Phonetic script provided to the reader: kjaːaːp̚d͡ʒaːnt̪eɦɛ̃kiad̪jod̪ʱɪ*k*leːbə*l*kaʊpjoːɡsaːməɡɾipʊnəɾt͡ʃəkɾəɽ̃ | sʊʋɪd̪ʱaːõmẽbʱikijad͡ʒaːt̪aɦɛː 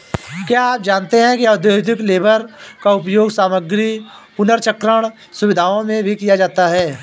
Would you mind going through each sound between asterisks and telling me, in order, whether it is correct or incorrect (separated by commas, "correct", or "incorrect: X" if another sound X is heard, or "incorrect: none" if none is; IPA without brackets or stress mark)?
correct, incorrect: ɾ